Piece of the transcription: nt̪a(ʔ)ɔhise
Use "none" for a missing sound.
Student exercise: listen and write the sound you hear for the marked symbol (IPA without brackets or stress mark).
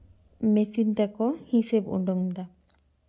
k